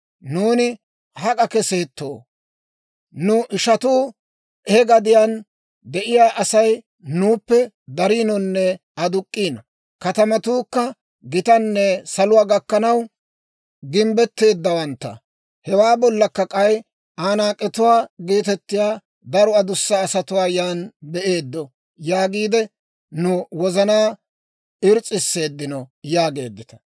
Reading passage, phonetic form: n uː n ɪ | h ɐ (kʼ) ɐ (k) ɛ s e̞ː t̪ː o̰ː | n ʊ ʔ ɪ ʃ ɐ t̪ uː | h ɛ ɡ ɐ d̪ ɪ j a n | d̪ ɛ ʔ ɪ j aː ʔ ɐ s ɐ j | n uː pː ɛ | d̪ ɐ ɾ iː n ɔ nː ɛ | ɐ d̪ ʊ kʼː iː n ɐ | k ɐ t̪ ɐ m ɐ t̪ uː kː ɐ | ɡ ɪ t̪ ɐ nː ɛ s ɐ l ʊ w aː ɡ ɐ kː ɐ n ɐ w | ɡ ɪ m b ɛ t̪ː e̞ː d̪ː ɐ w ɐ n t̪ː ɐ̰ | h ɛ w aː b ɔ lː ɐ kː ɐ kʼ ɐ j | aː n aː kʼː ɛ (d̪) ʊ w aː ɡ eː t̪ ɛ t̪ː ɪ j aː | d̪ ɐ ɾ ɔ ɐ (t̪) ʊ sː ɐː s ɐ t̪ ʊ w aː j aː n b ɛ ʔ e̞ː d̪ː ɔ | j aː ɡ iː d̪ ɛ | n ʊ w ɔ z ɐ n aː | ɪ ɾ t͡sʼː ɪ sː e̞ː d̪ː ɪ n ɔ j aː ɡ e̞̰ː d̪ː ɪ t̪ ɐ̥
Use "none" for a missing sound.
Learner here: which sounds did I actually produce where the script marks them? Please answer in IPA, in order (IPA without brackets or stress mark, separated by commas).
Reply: kʼ, k, t̪, d̪